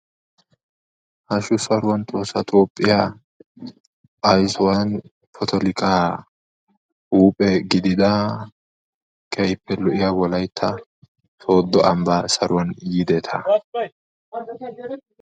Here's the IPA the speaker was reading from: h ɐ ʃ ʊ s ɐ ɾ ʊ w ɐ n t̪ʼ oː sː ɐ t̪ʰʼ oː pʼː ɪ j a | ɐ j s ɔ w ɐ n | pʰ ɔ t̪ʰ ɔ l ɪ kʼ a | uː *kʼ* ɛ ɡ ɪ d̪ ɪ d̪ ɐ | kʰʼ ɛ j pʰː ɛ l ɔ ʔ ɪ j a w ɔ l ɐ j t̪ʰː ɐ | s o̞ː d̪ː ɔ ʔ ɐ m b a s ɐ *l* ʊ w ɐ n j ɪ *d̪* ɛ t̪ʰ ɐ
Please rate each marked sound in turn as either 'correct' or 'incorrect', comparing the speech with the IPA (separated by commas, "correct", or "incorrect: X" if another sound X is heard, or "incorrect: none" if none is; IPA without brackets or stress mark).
incorrect: pʼ, incorrect: ɾ, correct